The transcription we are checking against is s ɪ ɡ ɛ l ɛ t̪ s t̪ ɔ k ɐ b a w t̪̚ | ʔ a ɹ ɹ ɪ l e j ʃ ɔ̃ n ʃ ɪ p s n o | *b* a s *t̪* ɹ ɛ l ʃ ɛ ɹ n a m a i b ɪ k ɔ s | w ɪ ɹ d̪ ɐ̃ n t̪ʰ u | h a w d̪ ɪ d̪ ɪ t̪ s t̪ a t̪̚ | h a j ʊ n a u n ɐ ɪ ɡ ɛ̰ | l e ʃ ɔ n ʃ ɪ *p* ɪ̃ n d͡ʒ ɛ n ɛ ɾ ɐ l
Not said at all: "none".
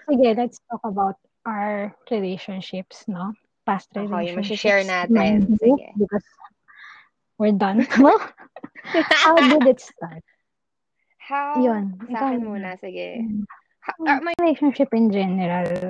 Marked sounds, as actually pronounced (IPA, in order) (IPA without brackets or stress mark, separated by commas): p, t̪, p